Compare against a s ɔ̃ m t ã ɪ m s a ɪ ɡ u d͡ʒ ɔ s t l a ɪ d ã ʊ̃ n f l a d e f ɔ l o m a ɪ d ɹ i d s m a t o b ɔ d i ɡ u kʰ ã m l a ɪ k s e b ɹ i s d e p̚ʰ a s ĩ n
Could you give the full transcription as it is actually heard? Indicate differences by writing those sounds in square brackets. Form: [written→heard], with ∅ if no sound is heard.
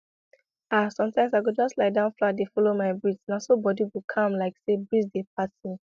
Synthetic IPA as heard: a s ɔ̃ m t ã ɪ m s a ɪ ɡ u d͡ʒ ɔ s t l a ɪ d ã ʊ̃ n f l a d e f ɔ l o m a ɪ [d→b] ɹ i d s [m→n] a [t→s] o b ɔ d i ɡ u kʰ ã m l a ɪ k s e b ɹ i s d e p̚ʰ a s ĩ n